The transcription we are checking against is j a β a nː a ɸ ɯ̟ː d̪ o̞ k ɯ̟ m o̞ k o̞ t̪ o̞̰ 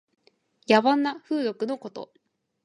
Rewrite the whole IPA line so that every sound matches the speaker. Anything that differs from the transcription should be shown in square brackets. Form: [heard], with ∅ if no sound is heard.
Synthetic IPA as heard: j a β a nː a ɸ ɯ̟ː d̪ o̞ k ɯ̟ [n] o̞ k o̞ t̪ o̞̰